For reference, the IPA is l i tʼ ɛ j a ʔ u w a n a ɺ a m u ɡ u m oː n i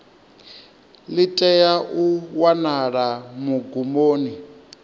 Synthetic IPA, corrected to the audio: l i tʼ ɛ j a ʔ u w a n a ɺ a m u ɡ u m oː n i